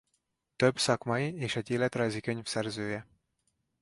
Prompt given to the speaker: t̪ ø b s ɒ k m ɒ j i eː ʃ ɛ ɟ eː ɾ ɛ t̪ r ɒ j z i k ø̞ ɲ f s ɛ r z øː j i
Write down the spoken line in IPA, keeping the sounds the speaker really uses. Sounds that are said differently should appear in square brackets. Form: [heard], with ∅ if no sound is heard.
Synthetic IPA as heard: t̪ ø b s ɒ k m ɒ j i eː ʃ ɛ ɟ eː [l] ɛ t̪ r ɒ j z i k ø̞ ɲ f s ɛ r z øː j [ɛ]